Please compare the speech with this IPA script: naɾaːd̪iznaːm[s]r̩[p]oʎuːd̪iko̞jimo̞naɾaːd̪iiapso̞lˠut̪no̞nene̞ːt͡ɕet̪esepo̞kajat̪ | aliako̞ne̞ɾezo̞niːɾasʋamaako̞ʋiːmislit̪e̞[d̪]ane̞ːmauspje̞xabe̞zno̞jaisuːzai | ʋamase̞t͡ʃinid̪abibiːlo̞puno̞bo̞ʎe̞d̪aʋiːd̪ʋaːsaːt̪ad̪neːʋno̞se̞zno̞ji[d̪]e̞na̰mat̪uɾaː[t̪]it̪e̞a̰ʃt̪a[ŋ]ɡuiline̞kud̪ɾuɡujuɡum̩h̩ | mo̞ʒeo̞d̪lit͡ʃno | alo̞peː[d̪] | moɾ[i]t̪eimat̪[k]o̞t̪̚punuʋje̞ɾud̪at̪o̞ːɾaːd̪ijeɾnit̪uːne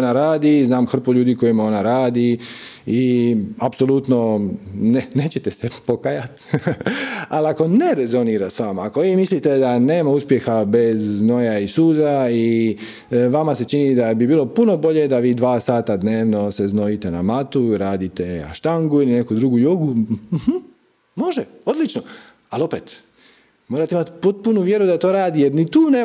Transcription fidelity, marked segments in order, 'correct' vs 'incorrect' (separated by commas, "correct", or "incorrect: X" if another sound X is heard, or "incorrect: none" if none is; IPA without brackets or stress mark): incorrect: x, correct, correct, incorrect: t̪, incorrect: d̪, correct, incorrect: t̪, incorrect: a, incorrect: p